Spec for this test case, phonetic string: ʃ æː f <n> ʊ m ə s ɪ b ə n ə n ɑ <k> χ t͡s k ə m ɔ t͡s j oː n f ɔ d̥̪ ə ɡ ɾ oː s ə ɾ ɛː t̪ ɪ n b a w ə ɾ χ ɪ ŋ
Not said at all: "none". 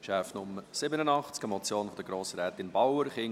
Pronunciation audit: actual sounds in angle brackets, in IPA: n, none

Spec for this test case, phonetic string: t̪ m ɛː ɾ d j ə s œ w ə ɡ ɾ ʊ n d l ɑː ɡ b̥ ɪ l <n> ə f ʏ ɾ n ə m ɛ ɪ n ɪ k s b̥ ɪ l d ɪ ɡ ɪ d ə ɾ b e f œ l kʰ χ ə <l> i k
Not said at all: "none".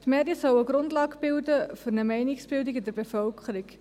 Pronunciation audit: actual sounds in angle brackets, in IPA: d, ɾ

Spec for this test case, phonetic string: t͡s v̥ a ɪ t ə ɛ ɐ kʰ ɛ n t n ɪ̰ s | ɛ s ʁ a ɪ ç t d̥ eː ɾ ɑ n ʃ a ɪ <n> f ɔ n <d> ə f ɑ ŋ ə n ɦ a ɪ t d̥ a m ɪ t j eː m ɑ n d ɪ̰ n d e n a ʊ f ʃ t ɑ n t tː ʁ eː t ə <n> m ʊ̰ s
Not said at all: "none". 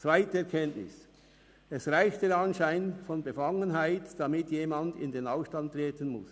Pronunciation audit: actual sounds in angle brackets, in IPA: n, b, n

